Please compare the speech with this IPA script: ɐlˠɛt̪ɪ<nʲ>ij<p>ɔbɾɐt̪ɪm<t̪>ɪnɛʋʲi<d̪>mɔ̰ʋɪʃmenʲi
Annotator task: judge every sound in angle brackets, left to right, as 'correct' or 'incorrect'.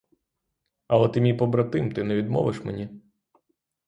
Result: incorrect, correct, correct, correct

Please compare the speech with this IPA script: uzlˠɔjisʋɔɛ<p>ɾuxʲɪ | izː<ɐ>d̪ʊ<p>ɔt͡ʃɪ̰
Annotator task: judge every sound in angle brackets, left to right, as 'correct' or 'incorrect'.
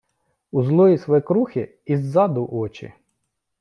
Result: incorrect, incorrect, incorrect

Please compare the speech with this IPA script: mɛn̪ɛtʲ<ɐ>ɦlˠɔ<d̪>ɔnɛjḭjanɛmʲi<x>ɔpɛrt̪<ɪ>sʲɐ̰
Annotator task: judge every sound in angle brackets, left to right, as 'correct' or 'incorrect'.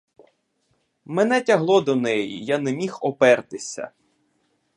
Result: correct, correct, correct, correct

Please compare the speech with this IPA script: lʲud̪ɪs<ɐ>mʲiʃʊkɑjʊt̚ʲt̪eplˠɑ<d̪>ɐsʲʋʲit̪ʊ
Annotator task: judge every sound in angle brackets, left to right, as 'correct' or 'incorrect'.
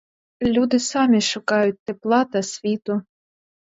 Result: incorrect, incorrect

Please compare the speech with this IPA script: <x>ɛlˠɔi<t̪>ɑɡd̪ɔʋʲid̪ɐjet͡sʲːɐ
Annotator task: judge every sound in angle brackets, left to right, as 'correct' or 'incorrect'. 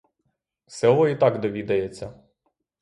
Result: incorrect, correct

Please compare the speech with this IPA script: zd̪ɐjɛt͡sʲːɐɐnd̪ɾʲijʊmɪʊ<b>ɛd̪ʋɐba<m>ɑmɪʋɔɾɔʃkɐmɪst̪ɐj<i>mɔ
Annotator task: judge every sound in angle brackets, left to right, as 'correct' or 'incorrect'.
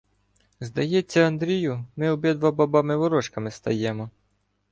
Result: correct, incorrect, incorrect

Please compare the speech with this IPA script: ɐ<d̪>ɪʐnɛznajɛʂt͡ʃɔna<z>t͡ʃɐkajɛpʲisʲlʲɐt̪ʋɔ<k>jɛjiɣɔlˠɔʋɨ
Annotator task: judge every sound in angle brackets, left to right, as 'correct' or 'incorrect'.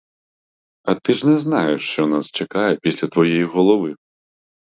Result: incorrect, incorrect, incorrect

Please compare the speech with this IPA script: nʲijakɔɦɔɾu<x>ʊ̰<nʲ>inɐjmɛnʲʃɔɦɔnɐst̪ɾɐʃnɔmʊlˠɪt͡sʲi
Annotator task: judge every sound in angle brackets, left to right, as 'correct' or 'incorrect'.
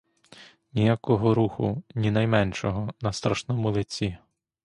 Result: correct, correct

